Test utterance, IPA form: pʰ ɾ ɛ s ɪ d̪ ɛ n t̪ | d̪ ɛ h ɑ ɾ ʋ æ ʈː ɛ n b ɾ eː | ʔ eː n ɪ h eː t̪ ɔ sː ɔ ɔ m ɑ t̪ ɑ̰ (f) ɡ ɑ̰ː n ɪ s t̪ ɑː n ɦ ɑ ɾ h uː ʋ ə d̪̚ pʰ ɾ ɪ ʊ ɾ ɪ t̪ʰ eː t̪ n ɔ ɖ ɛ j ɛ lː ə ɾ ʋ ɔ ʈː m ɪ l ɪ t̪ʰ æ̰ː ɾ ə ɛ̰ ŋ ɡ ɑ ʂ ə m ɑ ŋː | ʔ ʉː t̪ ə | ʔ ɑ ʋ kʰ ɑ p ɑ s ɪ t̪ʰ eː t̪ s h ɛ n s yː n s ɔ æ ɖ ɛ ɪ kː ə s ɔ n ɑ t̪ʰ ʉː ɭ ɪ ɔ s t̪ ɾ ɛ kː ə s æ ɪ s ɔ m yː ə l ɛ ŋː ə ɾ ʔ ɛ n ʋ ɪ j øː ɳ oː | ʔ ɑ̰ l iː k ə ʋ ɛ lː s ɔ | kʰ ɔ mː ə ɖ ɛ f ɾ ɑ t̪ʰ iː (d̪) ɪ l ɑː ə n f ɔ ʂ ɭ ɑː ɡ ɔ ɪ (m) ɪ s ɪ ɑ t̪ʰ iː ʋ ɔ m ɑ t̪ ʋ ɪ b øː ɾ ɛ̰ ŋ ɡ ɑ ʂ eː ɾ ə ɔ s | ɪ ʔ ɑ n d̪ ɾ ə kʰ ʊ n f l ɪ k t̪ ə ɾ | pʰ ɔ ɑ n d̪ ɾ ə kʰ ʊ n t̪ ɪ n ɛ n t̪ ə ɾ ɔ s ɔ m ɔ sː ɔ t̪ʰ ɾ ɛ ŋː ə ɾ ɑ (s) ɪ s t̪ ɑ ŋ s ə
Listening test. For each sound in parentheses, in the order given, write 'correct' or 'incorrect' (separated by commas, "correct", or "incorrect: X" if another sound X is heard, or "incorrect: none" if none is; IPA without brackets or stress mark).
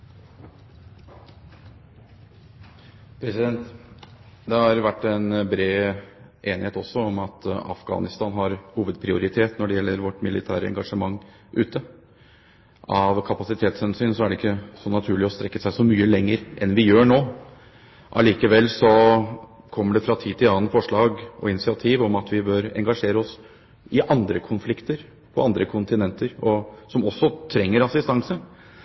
correct, incorrect: t̪, incorrect: n, correct